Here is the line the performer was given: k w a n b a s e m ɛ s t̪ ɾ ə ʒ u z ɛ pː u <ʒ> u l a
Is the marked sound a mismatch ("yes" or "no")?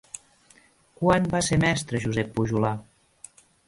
no